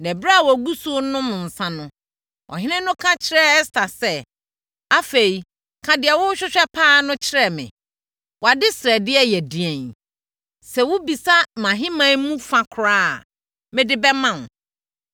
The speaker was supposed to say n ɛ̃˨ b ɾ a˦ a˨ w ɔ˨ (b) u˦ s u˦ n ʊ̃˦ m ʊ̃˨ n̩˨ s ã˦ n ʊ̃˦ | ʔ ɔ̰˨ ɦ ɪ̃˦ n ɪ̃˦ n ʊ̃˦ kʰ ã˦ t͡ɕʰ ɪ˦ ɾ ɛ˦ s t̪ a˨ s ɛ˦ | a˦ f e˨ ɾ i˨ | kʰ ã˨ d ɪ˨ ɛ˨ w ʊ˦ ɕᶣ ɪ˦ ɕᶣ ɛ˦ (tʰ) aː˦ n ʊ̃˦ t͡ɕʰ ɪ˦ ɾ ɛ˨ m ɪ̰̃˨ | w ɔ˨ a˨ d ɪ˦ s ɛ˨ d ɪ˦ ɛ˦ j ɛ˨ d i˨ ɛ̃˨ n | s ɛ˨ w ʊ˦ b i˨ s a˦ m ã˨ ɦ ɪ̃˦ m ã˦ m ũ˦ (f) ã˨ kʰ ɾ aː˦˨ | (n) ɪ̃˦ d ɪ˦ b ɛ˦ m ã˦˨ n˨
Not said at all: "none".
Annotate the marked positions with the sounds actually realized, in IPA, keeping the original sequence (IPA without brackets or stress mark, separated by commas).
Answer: ɡ, pʰ, f, m